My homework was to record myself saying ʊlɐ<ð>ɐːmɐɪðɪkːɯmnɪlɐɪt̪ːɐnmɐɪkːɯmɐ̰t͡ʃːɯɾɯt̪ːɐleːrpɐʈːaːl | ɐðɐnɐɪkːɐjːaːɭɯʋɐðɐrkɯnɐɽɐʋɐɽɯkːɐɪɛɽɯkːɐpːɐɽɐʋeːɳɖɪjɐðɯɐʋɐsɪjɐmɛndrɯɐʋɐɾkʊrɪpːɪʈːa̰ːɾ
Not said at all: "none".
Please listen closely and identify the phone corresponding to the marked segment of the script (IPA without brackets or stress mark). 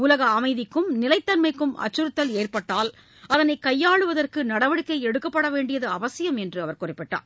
ɣ